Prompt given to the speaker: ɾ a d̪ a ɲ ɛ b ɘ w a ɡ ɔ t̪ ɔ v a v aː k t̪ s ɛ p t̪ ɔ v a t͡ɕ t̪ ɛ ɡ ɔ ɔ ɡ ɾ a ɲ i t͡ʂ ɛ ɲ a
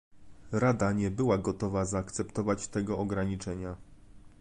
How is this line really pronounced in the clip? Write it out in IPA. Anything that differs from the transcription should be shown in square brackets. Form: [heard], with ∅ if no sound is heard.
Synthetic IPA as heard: ɾ a d̪ a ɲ ɛ b ɘ w a ɡ ɔ t̪ ɔ v a [z] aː k t̪ s ɛ p t̪ ɔ v a t͡ɕ t̪ ɛ ɡ ɔ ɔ ɡ ɾ a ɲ i t͡ʂ ɛ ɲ a